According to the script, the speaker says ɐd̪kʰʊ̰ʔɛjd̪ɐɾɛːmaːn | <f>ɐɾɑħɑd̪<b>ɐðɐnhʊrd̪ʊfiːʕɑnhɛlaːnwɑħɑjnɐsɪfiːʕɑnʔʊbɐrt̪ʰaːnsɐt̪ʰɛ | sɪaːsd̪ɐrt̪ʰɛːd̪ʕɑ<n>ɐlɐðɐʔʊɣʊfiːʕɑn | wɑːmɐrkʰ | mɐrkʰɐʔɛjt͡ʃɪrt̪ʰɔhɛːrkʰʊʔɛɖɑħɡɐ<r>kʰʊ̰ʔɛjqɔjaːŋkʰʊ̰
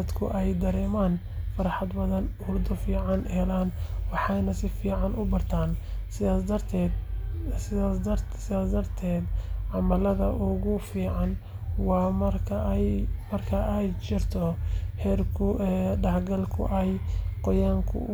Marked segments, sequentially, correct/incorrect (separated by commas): correct, correct, incorrect, incorrect